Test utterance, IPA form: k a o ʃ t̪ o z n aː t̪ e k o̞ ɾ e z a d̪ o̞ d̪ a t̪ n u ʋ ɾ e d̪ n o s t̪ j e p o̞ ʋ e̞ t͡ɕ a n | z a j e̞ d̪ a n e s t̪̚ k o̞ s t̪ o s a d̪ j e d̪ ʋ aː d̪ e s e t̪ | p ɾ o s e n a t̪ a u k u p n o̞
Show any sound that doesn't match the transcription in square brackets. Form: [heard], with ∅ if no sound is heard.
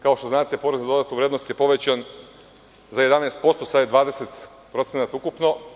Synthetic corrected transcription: k a o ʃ t̪ o z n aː t̪ e [p] o̞ ɾ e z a d̪ o̞ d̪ a t̪ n u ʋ ɾ e d̪ n o s t̪ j e p o̞ ʋ e̞ t͡ɕ a n | z a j e̞ d̪ a n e s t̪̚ [p] o̞ s t̪ o s a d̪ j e d̪ ʋ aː d̪ e s e t̪ | p ɾ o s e n a t̪ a u k u p n o̞